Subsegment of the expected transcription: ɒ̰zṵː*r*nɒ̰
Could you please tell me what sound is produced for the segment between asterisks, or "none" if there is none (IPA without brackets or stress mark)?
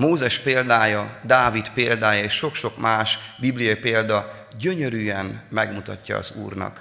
r